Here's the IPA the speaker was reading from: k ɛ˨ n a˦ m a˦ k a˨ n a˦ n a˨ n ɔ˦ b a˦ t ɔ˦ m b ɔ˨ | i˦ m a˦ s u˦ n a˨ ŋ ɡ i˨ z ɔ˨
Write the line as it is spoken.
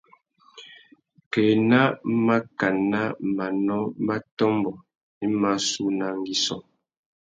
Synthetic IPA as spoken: k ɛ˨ n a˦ m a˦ k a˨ n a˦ m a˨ n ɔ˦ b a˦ t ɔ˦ m b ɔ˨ | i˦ m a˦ s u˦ n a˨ ŋ ɡ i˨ s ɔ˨